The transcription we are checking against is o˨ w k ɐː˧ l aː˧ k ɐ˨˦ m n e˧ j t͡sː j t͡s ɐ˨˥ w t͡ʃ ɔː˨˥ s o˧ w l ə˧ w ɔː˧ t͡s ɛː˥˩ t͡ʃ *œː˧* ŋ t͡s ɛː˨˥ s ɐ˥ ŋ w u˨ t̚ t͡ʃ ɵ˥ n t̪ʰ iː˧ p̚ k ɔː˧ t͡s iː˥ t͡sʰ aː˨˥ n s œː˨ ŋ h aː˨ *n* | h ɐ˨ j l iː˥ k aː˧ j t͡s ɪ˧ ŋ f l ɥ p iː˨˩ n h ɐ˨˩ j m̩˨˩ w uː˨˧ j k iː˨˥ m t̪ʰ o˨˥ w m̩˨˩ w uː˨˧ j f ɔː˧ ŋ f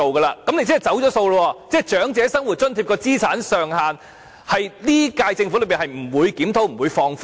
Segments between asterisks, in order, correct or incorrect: incorrect: œː˨˥, correct

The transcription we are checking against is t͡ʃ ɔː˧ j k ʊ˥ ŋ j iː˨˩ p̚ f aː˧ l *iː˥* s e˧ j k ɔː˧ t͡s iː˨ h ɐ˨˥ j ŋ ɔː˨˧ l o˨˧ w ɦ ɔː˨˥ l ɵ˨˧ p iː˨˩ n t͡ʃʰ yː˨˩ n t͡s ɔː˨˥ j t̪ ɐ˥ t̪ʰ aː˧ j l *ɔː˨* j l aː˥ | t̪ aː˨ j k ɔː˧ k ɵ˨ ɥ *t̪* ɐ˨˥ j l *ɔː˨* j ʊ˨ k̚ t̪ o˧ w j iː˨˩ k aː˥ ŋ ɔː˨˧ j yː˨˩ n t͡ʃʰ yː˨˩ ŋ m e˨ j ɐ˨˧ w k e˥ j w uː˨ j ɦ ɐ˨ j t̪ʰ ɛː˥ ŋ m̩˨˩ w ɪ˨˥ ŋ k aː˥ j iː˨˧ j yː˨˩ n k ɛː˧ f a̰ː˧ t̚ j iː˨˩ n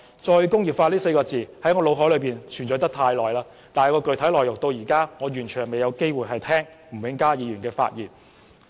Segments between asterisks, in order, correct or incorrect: correct, correct, incorrect: t̪ʰ, correct

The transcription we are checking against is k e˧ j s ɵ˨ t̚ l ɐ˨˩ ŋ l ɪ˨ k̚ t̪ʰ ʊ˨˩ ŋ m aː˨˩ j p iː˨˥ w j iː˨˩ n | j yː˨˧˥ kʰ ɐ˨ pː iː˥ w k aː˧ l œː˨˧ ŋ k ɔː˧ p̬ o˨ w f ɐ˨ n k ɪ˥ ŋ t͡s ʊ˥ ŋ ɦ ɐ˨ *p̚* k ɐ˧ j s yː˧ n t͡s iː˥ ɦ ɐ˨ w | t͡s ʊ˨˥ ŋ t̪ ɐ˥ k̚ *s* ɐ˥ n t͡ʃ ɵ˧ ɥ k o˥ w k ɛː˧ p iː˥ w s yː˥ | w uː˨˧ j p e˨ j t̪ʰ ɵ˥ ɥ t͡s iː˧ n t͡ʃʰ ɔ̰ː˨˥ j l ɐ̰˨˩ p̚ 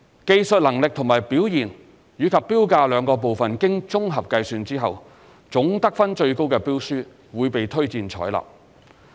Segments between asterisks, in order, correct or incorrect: correct, incorrect: f

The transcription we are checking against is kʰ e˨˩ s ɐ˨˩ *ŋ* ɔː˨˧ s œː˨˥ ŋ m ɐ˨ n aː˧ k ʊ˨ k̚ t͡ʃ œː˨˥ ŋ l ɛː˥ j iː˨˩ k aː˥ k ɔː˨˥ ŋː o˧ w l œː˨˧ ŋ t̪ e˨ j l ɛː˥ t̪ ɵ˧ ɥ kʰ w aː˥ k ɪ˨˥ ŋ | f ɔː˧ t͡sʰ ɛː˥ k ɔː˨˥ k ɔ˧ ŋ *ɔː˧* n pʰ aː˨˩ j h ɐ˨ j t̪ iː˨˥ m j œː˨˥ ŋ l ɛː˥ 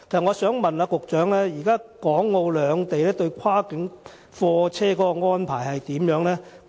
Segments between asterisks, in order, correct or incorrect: correct, incorrect: ɔː˥

